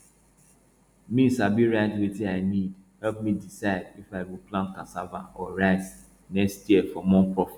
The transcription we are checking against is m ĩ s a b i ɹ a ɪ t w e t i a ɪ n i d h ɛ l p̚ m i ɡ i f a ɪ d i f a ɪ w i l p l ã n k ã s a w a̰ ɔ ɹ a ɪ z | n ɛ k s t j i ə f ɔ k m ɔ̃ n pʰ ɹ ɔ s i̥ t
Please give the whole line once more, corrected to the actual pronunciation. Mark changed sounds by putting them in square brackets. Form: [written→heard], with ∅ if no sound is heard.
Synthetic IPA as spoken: m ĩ s a b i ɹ a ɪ t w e t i a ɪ n i d h ɛ l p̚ m i [ɡ→d] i [f→s] a ɪ d i f a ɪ w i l p l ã n k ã s a [w→v] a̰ ɔ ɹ a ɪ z | n ɛ k s t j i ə f ɔ [k→∅] m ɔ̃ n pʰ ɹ ɔ [s→f] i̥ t